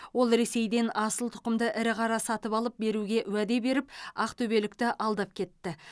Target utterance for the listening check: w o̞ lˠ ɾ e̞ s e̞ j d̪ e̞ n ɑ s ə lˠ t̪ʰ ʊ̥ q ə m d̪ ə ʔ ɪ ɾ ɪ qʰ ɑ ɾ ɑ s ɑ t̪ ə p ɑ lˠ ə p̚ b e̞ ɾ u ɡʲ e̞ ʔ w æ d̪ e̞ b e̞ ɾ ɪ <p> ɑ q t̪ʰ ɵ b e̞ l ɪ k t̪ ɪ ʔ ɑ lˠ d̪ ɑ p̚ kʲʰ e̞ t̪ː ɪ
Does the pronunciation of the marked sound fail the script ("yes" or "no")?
no